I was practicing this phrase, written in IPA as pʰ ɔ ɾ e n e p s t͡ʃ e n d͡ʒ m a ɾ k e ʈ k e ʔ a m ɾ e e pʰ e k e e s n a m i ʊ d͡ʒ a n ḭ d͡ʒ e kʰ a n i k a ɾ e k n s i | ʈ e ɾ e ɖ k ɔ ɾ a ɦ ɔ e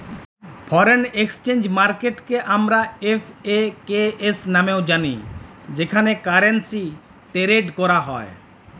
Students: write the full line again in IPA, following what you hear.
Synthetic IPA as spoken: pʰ ɔ ɾ e n e k s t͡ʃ e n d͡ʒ m a ɾ k e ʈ k e ʔ a m ɾ a e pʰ e k e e s n a m e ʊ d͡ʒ a n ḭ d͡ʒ e kʰ a n e k a ɾ e n s i | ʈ e ɾ e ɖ k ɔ ɾ a ɦ ɔ e